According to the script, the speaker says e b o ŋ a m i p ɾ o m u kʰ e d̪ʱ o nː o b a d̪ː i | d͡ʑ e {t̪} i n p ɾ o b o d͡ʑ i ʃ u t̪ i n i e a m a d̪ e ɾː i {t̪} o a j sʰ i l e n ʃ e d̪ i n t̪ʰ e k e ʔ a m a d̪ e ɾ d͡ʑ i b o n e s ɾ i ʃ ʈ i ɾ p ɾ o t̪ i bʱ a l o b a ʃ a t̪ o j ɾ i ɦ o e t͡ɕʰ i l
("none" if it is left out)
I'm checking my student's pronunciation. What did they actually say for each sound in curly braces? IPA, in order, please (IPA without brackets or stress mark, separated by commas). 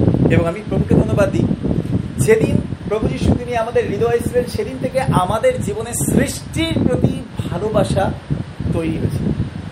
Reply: d̪, d̪